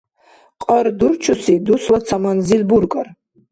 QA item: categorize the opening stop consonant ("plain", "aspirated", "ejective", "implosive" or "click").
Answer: ejective